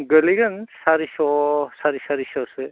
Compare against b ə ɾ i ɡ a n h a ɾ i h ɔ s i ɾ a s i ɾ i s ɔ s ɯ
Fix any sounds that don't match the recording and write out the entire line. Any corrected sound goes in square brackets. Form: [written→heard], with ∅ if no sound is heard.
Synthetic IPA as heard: [b→ɡ] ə [ɾ→l] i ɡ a n [h→s] a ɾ i [h→s] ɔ s [i→a] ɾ [a→i] s [i→a] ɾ i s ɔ s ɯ